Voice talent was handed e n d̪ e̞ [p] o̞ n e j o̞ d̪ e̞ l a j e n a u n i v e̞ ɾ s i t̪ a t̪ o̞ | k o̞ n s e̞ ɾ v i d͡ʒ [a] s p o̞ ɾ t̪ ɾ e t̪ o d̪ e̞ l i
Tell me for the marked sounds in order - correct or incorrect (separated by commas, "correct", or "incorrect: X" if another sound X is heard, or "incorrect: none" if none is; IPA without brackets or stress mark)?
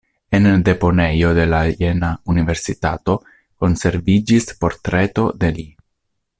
correct, incorrect: i